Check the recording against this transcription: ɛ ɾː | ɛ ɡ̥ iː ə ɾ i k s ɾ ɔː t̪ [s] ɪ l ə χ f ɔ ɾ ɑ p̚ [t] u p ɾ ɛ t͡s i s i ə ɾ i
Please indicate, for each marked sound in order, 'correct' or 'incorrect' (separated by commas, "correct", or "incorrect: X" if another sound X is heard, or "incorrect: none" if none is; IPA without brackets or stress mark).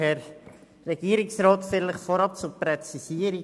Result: incorrect: f, incorrect: t͡s